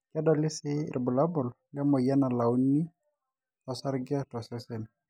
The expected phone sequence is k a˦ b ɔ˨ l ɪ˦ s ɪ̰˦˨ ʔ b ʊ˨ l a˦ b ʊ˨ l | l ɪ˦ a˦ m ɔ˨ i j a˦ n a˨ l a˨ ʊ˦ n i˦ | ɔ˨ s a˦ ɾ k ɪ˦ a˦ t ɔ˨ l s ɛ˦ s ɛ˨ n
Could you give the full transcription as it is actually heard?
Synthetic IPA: k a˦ d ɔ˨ l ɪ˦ s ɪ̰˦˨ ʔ b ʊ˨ l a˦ b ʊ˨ l | l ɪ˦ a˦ m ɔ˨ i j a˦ n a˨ l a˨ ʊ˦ n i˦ | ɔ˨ s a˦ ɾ ɡ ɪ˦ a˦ t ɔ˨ s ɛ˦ s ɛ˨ n